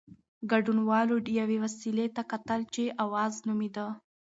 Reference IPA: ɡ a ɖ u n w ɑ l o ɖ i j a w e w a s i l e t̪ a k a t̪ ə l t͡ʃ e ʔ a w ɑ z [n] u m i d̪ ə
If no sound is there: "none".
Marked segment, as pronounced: n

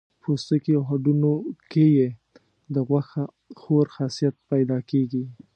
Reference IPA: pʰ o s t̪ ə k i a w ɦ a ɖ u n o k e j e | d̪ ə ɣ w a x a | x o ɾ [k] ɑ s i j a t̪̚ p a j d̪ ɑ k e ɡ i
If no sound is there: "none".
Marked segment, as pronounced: x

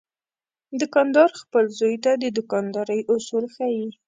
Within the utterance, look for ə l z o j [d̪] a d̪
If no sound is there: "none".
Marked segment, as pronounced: t̪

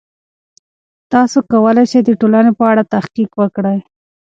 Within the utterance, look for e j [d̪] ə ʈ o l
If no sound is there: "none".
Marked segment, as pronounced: d̪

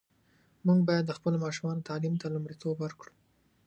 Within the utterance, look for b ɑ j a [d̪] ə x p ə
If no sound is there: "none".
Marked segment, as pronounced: d̪ː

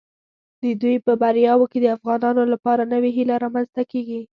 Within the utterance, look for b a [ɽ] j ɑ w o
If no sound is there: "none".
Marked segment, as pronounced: ɾ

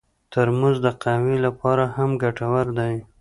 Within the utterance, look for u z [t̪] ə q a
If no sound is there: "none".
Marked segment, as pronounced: d̪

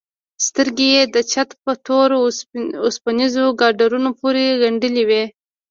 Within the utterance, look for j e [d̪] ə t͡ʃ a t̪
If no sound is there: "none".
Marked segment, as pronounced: d̪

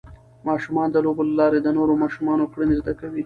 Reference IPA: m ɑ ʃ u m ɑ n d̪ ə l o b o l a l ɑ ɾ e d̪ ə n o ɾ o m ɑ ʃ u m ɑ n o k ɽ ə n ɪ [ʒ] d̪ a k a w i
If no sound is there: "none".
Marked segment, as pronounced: z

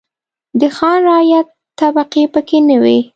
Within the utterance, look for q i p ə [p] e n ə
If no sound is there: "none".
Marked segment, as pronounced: k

